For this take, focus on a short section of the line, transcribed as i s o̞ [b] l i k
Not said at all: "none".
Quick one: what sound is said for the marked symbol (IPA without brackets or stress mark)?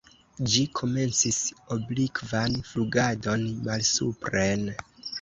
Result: b